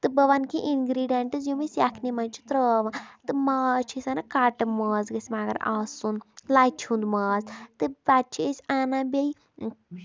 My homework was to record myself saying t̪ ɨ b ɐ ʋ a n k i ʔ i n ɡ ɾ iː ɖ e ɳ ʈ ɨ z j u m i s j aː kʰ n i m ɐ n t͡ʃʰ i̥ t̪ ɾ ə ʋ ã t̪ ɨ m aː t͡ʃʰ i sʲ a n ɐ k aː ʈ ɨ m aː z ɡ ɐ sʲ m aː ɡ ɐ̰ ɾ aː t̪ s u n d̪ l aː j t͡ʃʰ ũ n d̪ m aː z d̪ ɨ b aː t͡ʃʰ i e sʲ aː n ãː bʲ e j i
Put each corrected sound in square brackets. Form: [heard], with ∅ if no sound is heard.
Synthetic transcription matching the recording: t̪ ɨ b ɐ ʋ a n k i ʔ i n ɡ ɾ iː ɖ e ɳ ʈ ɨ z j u m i s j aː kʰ n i m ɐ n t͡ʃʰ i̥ t̪ ɾ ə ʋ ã t̪ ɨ m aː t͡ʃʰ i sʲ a n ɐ k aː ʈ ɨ m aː z ɡ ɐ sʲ m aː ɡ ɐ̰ ɾ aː [∅] s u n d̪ l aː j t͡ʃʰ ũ n d̪ m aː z [t̪] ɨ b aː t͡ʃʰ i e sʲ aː n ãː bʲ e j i

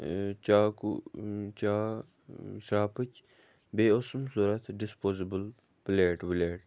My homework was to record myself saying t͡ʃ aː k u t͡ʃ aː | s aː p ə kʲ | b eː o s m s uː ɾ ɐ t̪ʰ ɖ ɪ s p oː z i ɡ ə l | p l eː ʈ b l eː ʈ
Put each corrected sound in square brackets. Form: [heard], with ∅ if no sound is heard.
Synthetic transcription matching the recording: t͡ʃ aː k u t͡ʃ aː | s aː p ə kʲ | b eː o s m s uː ɾ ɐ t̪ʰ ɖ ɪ s p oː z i [b] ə l | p l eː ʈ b l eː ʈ

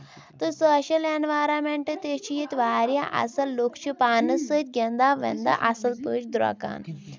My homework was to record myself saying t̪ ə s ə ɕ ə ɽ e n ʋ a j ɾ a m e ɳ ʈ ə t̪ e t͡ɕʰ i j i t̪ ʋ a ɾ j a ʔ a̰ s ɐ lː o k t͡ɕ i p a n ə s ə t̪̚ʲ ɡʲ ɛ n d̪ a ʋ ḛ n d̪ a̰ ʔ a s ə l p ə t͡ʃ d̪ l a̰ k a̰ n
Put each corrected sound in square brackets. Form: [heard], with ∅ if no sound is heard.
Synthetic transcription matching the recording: t̪ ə s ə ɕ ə [l] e n ʋ a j ɾ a m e ɳ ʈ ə t̪ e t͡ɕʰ i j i t̪ ʋ a ɾ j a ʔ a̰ s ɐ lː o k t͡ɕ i p a n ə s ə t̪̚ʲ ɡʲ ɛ n d̪ a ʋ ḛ n d̪ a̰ ʔ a s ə l p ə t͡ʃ d̪ [ɾ] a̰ k a̰ n

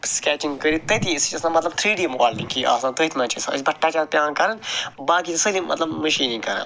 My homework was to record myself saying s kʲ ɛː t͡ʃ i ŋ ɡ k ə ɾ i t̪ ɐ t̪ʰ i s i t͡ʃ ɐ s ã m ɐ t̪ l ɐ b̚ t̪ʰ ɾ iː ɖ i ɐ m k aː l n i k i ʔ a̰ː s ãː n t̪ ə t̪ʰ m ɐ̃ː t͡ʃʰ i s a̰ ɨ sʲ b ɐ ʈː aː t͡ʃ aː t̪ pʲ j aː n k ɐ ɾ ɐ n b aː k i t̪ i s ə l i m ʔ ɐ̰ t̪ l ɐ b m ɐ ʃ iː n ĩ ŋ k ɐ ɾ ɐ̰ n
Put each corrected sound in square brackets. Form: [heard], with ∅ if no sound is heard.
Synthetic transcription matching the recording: s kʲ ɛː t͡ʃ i ŋ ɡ k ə ɾ i t̪ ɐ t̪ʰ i s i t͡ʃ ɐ s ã m ɐ t̪ l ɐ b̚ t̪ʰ ɾ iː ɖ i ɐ m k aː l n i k i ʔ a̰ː s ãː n t̪ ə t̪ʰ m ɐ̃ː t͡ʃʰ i s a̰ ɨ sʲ b ɐ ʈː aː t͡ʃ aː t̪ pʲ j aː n k ɐ ɾ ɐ n b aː k i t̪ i s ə l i m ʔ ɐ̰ t̪ l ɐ b m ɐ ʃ iː n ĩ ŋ k ɐ ɾ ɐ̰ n

